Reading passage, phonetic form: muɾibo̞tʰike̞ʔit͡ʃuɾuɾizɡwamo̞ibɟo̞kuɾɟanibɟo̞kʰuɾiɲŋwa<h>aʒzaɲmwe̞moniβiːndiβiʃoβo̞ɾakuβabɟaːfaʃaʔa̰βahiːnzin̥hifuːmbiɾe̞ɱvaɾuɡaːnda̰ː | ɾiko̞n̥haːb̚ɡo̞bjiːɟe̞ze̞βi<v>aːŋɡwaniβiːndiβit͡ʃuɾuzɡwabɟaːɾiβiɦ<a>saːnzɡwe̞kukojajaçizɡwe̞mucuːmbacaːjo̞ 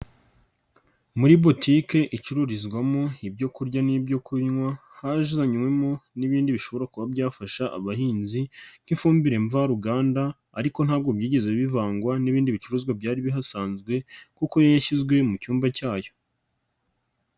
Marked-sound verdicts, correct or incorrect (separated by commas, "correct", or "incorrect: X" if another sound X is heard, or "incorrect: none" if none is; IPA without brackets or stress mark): correct, correct, correct